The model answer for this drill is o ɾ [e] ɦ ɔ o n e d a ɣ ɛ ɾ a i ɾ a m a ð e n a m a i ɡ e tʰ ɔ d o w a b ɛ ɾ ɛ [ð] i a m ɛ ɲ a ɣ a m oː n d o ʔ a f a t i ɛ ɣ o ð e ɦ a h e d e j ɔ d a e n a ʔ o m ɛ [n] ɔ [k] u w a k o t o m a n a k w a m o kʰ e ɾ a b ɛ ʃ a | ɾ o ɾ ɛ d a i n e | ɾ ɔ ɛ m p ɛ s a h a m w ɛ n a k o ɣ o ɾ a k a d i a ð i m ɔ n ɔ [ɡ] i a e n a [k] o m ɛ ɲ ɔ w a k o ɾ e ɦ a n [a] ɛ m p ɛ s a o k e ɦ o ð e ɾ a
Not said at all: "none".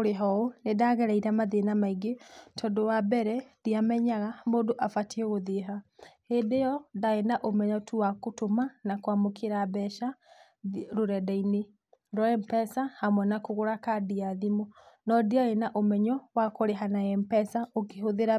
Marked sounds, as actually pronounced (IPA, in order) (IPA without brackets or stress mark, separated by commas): e, ð, ɲ, t, d, ʔ, a